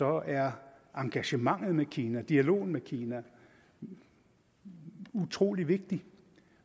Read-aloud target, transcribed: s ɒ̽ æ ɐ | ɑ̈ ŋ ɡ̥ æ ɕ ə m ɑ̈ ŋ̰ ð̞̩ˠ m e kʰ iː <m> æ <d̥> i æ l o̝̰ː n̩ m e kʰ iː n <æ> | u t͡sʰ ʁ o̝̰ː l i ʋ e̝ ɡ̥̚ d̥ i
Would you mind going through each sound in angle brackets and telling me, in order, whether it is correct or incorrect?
incorrect, correct, correct

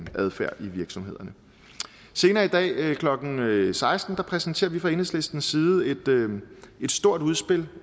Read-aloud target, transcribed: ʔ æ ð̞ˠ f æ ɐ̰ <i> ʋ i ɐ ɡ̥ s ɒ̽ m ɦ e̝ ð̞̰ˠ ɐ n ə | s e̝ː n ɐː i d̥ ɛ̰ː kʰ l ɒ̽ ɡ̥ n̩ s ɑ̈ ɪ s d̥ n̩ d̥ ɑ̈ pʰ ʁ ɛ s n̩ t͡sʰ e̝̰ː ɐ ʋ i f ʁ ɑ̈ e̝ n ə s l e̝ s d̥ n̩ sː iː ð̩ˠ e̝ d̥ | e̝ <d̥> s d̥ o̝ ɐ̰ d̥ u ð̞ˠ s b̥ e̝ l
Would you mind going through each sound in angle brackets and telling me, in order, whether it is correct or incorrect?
correct, correct

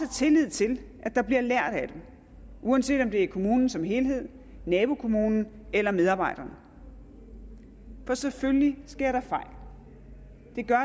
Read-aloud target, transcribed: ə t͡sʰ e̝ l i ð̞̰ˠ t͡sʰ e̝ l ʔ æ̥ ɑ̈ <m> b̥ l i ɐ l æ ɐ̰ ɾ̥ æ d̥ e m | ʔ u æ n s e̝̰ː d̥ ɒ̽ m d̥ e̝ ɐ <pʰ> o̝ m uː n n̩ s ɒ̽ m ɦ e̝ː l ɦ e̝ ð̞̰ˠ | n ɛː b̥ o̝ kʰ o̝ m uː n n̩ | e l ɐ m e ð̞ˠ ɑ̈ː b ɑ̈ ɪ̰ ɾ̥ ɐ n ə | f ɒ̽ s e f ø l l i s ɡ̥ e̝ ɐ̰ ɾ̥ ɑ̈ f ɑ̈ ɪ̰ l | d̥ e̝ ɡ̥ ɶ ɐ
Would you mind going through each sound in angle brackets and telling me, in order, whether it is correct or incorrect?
incorrect, incorrect

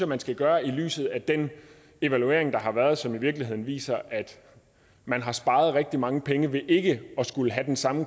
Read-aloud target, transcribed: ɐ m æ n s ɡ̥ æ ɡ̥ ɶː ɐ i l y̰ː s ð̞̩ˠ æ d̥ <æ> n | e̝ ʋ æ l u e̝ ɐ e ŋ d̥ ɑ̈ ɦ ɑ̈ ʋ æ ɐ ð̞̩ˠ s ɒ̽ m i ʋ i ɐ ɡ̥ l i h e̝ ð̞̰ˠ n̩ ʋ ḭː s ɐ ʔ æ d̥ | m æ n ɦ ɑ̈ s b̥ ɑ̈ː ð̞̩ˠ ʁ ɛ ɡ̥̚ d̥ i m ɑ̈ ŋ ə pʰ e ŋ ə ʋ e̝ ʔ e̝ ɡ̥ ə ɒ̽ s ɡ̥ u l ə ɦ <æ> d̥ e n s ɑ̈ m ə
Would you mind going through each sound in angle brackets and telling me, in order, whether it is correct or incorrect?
incorrect, correct

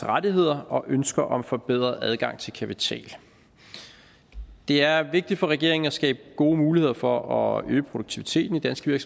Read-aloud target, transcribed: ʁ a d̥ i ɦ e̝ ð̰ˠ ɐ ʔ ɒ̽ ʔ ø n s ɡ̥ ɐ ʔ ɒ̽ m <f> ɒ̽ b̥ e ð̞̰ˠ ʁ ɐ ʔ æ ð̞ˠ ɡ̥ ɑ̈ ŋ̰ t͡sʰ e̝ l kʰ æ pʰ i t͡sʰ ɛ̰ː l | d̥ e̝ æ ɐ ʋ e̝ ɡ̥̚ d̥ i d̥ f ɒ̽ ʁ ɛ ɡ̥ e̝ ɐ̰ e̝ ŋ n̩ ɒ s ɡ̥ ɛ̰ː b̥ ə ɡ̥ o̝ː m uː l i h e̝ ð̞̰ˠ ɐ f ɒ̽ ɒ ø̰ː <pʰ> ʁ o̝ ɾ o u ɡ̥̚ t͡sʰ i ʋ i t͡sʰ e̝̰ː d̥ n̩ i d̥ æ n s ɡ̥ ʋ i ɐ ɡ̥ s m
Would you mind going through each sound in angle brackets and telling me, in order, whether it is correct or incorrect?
correct, correct

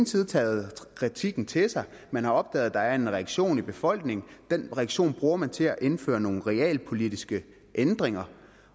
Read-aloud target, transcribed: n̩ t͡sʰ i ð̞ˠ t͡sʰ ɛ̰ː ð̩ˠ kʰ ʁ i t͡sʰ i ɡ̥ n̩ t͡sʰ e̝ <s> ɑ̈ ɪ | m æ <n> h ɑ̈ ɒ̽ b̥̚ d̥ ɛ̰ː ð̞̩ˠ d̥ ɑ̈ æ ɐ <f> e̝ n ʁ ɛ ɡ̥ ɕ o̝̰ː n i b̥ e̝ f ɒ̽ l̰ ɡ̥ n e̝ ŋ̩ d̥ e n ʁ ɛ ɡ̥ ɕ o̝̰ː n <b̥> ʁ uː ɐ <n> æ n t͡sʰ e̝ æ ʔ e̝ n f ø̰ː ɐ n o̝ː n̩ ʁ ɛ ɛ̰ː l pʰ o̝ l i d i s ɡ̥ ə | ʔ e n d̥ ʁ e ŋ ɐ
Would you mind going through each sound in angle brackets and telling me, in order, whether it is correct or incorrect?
correct, correct, incorrect, correct, incorrect

